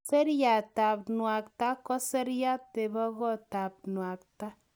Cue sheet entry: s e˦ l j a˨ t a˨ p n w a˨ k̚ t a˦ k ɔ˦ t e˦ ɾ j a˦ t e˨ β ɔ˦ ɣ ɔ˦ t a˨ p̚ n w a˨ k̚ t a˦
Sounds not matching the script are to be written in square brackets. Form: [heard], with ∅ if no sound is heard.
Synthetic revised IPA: s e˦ [ɾ] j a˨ t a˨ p n w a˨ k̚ t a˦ k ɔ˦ [s] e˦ ɾ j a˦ t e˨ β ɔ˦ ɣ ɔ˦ t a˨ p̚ n w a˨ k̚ t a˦